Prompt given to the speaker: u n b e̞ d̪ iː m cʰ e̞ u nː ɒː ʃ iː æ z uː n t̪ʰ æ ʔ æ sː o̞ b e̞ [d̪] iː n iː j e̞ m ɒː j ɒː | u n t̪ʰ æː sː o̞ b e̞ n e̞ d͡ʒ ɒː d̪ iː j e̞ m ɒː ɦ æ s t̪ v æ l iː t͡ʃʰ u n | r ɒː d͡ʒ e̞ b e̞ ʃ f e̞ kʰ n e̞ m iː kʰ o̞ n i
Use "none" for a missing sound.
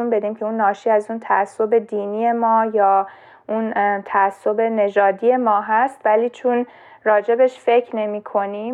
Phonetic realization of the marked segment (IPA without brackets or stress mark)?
d̪